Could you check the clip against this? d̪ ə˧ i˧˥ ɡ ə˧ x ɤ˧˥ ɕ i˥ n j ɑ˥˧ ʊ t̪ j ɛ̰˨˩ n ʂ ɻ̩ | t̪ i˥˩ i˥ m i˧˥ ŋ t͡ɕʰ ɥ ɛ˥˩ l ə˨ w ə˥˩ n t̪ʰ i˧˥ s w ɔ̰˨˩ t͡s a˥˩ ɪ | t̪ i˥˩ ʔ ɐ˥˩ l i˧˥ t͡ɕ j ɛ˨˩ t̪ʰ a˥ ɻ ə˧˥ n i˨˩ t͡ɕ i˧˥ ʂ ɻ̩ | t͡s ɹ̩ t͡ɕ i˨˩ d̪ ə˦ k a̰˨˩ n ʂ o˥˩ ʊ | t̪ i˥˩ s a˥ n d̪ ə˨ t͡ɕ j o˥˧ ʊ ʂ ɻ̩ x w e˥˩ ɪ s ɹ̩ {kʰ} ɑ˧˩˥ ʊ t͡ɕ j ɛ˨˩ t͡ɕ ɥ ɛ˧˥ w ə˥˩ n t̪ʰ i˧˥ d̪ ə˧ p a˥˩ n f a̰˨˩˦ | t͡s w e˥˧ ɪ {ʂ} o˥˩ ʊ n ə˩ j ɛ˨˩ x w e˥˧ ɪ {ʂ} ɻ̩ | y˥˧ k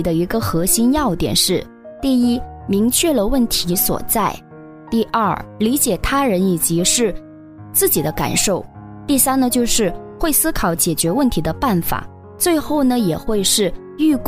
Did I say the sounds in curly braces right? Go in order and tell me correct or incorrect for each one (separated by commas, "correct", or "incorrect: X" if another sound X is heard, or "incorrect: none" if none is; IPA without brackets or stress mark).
correct, incorrect: x, correct